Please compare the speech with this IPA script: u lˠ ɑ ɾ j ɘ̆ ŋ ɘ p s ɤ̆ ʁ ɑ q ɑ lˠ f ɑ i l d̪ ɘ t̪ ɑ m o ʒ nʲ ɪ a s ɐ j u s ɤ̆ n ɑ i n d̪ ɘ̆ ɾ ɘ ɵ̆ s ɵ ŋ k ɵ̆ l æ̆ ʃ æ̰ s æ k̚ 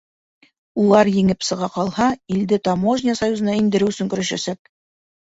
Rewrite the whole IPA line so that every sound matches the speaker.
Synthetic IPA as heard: u lˠ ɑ ɾ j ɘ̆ ŋ ɘ p s ɤ̆ ʁ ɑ q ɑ lˠ h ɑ i l d̪ ɘ t̪ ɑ m o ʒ nʲ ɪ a s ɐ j u z ɤ̆ n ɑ i n d̪ ɘ̆ ɾ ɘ ɵ̆ s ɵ ŋ k ɵ̆ ɾ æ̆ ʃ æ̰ s æ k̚